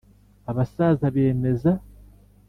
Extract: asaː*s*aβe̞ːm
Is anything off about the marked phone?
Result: yes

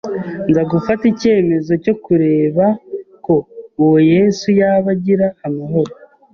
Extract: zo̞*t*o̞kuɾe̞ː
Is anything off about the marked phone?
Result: yes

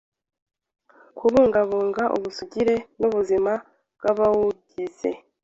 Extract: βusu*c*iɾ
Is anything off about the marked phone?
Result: yes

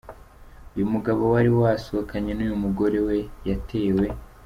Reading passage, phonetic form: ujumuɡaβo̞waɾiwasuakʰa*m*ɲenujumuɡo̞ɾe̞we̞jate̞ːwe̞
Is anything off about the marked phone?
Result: yes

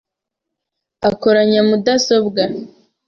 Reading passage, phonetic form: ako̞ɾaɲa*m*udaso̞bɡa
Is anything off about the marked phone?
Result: no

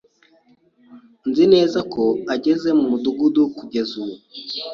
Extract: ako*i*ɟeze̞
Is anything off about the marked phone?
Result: yes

